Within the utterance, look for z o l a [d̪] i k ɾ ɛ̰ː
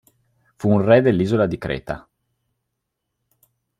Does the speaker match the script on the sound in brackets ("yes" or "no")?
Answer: yes